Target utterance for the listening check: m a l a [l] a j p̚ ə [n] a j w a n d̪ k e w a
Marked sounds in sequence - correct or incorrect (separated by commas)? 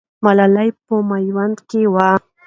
correct, incorrect